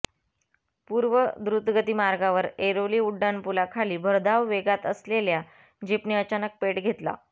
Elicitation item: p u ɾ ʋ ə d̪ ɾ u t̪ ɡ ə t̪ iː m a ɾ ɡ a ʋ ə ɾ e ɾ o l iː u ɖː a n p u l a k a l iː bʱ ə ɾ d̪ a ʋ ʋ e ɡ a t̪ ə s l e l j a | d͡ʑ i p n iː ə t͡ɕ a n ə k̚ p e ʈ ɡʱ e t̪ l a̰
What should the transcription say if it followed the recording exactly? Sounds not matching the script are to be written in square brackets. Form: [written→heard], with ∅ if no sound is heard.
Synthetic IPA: p u ɾ ʋ ə d̪ ɾ u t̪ ɡ ə t̪ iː m a ɾ ɡ a ʋ ə ɾ e ɾ o l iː u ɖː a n p u l a [k→kʰ] a l iː bʱ ə ɾ d̪ a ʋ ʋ e ɡ a t̪ ə s l e l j a | d͡ʑ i p n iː ə t͡ɕ a n ə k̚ p e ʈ ɡʱ e t̪ l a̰

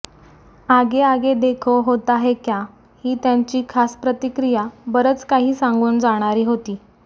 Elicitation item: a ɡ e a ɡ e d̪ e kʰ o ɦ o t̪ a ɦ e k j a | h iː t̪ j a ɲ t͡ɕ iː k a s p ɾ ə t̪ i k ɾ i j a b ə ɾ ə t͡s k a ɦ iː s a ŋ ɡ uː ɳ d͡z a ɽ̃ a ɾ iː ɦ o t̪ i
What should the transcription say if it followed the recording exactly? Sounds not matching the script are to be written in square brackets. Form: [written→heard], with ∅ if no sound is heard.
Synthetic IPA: a ɡ e a ɡ e d̪ e kʰ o ɦ o t̪ a ɦ e k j a | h iː t̪ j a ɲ t͡ɕ iː [k→kʰ] a s p ɾ ə t̪ i k ɾ i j a b ə ɾ ə t͡s k a ɦ iː s a ŋ ɡ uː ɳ d͡z a ɽ̃ a ɾ iː ɦ o t̪ [i→iː]

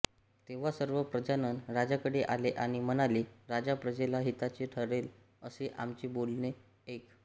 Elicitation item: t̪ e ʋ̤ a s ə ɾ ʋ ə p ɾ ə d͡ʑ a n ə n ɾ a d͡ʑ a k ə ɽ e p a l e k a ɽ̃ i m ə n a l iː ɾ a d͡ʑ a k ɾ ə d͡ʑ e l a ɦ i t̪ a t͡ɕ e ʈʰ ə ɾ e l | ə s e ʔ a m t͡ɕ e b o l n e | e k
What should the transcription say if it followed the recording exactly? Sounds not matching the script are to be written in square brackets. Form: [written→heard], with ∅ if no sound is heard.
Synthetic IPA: t̪ e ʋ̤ a s ə ɾ ʋ ə p ɾ ə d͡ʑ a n ə n ɾ a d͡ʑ a k ə ɽ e [p→ʔ] a l e [k→ʔ] a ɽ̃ i m ə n a l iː ɾ a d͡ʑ a [k→p] ɾ ə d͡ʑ e l a ɦ i t̪ a t͡ɕ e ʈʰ ə ɾ e l | ə s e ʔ a m t͡ɕ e b o l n e | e k

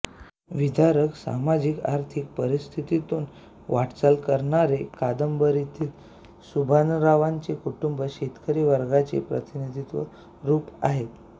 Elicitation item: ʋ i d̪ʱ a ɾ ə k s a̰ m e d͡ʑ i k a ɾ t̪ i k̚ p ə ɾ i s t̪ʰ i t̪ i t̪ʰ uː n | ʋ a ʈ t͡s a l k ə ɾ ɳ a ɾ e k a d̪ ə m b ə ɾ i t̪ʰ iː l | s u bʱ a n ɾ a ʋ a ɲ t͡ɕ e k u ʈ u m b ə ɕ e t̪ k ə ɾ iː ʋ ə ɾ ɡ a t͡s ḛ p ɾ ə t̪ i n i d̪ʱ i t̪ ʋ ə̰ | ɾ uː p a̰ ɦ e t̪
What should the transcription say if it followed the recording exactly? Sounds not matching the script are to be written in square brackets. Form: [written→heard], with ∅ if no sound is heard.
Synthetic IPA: ʋ i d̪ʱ a ɾ ə k s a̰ m [e→a] d͡ʑ i k a ɾ [t̪→t̪ʰ] i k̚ p ə ɾ i s t̪ʰ i t̪ i [t̪ʰ→t̪] uː n | ʋ a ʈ t͡s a l k ə ɾ ɳ a ɾ e k a d̪ ə m b ə ɾ i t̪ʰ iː l | s u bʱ a n ɾ a ʋ a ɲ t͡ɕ e k u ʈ u m b ə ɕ e t̪ k ə ɾ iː ʋ ə ɾ ɡ a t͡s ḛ p ɾ ə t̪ i n i d̪ʱ i t̪ ʋ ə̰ | ɾ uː p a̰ ɦ e t̪

